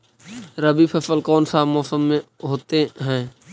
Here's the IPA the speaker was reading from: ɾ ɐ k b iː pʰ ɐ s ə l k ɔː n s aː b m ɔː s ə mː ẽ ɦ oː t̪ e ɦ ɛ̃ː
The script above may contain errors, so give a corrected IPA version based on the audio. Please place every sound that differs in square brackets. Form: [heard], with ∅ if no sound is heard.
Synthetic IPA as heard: ɾ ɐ [∅] b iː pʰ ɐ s ə l k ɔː n s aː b m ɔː s ə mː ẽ ɦ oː t̪ e ɦ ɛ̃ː